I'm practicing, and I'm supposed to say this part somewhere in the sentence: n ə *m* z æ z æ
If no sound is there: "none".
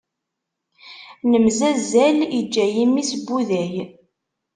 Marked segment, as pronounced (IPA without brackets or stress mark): m